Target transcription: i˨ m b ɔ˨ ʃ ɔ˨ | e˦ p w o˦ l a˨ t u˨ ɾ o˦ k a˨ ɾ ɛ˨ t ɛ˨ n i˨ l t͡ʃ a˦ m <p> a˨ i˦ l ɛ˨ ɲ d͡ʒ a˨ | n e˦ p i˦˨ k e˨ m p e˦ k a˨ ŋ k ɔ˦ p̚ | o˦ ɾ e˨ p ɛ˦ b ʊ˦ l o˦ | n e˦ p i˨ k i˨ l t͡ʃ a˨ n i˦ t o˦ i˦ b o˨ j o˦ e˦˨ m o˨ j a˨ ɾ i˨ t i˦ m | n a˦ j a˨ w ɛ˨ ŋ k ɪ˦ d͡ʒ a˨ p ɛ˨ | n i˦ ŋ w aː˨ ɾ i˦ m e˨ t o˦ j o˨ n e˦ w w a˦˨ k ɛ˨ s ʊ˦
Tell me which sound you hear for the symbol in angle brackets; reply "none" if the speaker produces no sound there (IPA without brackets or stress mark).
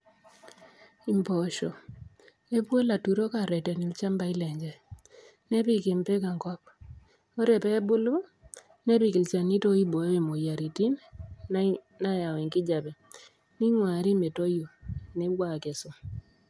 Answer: b